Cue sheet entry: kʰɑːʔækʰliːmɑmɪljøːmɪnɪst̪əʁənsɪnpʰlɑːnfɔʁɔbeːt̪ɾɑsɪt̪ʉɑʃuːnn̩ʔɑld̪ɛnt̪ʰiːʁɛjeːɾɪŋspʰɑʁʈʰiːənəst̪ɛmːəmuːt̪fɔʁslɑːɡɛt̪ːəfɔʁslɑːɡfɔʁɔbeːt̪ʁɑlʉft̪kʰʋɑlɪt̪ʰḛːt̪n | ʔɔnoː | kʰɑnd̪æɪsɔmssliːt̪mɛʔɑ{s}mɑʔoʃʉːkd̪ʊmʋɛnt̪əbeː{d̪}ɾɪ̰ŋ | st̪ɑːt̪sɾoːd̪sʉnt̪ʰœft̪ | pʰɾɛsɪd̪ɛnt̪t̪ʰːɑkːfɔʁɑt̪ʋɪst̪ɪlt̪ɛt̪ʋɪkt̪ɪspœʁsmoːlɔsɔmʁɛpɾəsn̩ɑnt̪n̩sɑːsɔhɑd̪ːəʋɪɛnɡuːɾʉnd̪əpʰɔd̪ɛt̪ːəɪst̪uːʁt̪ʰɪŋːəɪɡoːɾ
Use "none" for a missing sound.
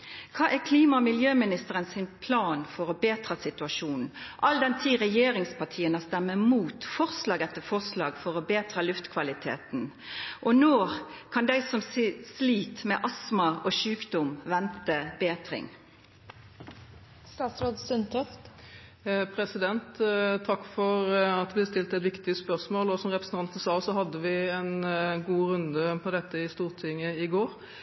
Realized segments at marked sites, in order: s, t̪

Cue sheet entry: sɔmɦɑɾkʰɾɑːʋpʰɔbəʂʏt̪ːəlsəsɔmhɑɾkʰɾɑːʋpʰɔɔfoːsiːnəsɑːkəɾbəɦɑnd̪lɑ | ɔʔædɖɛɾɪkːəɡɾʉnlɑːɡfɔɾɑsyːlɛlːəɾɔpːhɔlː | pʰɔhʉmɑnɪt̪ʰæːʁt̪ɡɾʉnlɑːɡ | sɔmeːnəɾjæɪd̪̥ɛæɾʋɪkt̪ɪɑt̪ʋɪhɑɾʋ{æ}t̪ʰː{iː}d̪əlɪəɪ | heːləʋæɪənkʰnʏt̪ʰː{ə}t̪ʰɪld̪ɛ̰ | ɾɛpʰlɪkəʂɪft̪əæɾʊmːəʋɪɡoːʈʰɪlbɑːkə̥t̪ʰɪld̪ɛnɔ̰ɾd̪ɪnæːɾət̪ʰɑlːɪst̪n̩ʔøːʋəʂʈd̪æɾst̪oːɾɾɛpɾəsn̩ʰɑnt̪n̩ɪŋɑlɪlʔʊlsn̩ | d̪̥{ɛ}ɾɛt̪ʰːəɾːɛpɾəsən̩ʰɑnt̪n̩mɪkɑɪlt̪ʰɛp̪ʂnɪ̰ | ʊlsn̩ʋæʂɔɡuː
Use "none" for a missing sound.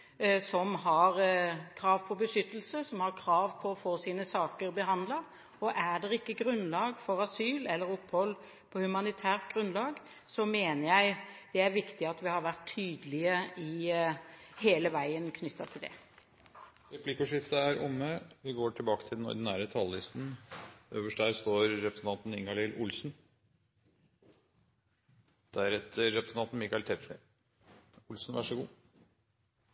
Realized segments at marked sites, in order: æ, yː, ɑ, æ

